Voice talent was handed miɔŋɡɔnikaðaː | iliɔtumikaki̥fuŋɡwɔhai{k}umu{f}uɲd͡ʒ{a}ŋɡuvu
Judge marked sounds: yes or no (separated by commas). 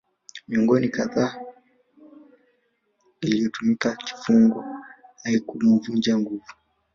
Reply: yes, no, yes